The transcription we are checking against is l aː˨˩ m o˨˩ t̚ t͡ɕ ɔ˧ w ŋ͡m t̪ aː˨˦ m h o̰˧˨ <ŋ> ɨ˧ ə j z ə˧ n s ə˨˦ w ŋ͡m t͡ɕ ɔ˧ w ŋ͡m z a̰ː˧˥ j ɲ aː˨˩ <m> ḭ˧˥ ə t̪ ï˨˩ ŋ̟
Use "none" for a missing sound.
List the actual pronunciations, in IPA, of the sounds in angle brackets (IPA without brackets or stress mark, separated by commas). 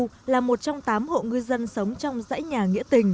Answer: ŋ, ŋ